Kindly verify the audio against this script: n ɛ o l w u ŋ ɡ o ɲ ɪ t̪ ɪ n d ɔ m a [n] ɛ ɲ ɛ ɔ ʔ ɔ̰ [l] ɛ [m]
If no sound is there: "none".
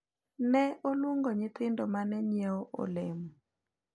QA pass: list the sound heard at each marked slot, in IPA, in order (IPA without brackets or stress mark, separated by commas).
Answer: n, l, m